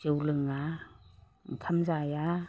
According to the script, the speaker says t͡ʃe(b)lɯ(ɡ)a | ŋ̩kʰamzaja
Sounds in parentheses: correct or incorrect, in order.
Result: incorrect: w, incorrect: ŋ

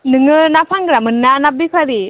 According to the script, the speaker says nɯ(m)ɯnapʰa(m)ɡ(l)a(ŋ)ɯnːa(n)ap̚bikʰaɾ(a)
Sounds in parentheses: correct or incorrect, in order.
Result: incorrect: ŋ, incorrect: ŋ, incorrect: ɾ, incorrect: m, correct, incorrect: i

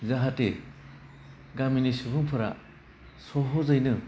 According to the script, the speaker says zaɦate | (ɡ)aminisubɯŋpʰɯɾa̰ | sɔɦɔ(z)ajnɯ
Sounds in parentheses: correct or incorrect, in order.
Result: correct, correct

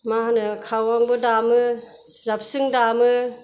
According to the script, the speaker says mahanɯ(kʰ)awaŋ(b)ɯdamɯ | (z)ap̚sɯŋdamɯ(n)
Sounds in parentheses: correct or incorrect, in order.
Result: correct, correct, correct, incorrect: none

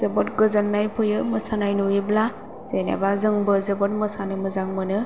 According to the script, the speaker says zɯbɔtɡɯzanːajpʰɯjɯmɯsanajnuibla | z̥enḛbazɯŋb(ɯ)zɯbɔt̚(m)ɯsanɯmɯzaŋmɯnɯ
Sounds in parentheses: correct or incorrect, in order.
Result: correct, correct

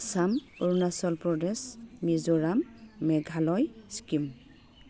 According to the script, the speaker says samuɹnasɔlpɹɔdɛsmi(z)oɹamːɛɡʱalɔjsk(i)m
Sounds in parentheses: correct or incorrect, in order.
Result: correct, correct

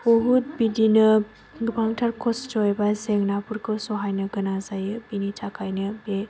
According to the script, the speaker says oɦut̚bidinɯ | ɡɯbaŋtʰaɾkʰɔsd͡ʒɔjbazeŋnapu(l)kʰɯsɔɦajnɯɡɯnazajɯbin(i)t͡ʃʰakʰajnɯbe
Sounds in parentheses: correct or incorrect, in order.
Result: incorrect: ɾ, correct

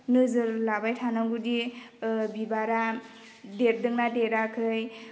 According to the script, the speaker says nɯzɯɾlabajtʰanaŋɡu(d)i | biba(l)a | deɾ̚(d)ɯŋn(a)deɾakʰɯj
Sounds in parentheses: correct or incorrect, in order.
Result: correct, incorrect: ɾ, correct, correct

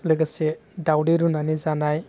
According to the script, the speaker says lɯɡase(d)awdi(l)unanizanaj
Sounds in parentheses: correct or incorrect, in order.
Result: correct, incorrect: ɾ

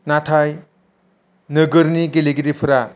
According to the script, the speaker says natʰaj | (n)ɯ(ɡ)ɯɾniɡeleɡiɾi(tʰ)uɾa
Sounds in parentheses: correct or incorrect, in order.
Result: correct, correct, incorrect: pʰ

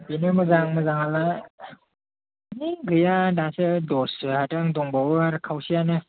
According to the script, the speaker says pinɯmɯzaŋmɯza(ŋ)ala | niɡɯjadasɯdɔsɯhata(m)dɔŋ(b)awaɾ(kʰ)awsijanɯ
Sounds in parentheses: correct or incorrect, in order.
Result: correct, incorrect: ŋ, correct, correct

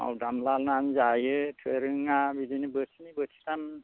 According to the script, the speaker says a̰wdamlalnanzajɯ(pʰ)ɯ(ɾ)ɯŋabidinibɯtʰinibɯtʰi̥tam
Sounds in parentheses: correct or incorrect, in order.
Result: incorrect: tʰ, correct

